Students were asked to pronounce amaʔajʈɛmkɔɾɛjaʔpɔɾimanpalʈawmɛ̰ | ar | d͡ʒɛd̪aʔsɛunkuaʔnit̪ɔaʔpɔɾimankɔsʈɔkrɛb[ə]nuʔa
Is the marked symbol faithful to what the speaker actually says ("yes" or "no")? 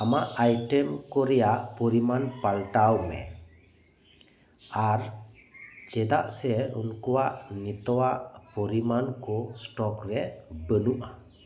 yes